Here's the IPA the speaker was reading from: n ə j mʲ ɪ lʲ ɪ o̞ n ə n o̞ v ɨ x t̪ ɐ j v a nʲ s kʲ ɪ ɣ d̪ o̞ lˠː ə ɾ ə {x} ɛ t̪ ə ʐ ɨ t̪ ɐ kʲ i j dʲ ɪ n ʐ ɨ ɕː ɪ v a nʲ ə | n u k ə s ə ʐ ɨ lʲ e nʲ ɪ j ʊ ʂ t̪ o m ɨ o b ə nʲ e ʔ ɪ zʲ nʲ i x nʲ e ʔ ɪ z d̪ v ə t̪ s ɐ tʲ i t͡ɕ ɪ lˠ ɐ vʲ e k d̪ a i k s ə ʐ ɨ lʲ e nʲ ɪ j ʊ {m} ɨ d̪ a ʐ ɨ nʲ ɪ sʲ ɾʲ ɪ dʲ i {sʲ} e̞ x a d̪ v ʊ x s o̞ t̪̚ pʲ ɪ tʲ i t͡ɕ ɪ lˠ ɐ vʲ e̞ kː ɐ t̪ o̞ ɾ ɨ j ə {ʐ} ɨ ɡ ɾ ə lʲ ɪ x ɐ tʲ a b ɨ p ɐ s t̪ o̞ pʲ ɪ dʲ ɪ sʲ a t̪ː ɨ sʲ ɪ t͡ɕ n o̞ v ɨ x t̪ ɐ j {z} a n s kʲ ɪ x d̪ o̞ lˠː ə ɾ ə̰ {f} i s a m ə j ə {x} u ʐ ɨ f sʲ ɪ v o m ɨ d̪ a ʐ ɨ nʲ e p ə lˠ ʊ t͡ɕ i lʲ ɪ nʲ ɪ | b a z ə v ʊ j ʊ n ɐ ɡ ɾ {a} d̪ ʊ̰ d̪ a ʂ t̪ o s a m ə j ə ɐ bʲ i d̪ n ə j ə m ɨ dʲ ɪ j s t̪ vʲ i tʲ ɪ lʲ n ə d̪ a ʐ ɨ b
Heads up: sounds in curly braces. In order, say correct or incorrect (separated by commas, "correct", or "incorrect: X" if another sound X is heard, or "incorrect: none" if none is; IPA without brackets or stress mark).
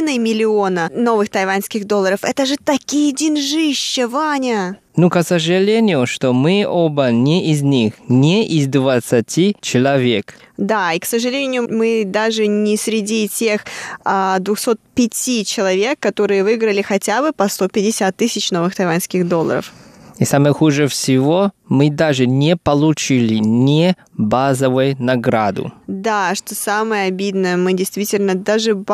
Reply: incorrect: f, correct, incorrect: tʲ, incorrect: v, incorrect: v, correct, correct, correct